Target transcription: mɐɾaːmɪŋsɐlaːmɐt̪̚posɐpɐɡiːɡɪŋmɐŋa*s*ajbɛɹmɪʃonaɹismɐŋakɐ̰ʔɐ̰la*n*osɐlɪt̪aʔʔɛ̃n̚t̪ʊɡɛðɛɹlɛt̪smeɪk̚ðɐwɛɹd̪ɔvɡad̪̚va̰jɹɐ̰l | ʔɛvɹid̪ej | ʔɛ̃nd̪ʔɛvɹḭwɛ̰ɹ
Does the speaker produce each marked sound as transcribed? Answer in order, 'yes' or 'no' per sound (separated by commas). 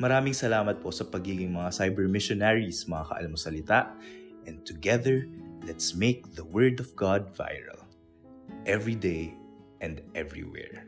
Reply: yes, no